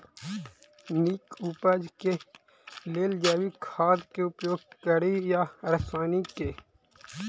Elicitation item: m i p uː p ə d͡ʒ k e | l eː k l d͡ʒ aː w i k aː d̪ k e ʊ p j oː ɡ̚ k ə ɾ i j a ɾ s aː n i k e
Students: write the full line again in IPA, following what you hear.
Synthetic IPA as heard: n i k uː p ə d͡ʒ k e | l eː l d͡ʒ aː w i kʰ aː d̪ k e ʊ p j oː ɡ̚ k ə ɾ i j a ɾ s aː n i k e